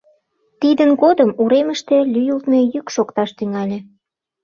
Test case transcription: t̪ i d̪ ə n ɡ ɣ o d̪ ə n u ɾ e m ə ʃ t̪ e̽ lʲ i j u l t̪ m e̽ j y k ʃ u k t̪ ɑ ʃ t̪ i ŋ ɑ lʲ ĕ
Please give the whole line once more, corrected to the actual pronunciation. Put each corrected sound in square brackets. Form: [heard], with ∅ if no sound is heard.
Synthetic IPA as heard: t̪ i d̪ ə n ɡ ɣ o d̪ ə [m] u ɾ e m ə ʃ t̪ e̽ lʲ [y] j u l t̪ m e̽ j y k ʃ [o] k t̪ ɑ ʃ t̪ [y] ŋ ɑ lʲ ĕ